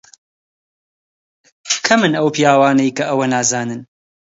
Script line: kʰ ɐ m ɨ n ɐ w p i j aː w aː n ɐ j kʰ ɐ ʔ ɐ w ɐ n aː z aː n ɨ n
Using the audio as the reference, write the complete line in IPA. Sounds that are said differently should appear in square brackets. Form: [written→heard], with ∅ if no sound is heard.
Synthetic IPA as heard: kʰ ɐ m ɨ n ɐ w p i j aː w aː n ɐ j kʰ ɐ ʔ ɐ w ɐ n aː z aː n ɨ n